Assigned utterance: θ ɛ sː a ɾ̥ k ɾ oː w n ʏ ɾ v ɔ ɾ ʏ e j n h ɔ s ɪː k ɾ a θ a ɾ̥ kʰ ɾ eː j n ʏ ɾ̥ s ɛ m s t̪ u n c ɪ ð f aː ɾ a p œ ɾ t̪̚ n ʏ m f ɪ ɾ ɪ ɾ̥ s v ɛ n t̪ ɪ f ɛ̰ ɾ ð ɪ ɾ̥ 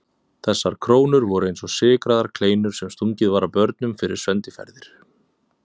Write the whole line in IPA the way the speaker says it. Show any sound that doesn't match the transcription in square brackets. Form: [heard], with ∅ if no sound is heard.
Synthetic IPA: θ ɛ sː a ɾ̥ [kʰ] ɾ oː w n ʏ ɾ v ɔ ɾ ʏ e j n [s] ɔ s ɪː k ɾ a [ð] a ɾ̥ kʰ [l] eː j n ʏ ɾ̥ s ɛ m s t̪ u [ɲ] c ɪ ð [v] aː ɾ a p œ ɾ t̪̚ n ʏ m f ɪ ɾ ɪ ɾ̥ s v ɛ n t̪ ɪ f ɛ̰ ɾ ð ɪ ɾ̥